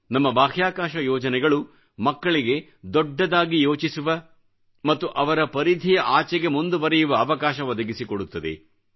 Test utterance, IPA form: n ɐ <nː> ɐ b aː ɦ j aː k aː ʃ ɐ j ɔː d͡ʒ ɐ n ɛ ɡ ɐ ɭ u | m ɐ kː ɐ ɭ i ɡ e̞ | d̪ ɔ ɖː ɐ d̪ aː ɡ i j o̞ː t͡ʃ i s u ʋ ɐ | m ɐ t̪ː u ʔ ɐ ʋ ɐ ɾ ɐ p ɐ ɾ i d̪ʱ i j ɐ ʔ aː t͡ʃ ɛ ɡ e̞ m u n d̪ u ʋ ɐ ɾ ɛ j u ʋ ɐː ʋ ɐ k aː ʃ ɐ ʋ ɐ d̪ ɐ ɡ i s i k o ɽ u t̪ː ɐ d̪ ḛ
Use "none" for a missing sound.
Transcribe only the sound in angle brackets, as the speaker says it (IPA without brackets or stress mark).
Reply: mː